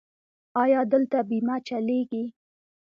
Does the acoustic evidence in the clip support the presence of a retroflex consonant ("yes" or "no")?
no